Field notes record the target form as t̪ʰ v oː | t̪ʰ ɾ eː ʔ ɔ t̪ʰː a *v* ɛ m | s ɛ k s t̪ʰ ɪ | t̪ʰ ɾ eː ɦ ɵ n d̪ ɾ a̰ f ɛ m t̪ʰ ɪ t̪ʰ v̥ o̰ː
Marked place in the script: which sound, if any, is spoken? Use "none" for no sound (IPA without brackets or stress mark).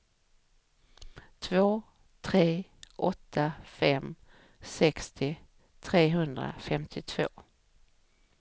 f